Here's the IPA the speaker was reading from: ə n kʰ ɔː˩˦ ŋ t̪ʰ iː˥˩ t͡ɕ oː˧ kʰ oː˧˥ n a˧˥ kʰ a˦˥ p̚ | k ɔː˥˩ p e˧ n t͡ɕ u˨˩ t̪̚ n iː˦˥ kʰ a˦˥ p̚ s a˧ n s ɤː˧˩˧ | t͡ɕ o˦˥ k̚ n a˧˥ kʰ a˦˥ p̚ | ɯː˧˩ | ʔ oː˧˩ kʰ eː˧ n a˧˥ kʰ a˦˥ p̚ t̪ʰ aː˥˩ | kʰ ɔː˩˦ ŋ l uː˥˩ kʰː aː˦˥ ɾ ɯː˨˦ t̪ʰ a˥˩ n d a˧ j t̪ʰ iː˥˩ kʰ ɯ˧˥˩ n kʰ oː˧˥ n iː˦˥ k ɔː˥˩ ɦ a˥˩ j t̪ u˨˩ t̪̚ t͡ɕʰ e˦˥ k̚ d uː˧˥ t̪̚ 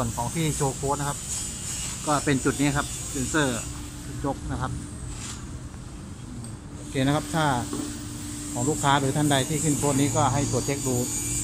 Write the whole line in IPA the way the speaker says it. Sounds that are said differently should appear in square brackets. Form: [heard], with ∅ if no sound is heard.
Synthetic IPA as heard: ə n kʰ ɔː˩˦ ŋ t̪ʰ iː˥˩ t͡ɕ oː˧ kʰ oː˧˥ n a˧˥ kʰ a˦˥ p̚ | k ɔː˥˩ p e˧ n t͡ɕ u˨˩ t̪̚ n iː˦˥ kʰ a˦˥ p̚ s [e˧] n s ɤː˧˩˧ | t͡ɕ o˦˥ k̚ n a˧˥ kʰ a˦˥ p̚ | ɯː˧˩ | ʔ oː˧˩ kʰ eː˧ n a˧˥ kʰ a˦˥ p̚ t̪ʰ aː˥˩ | kʰ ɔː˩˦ ŋ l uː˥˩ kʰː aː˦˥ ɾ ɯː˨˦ t̪ʰ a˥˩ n d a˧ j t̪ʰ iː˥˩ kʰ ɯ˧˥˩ n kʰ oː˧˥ n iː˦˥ k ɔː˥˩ ɦ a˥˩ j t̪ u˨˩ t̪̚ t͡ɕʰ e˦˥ k̚ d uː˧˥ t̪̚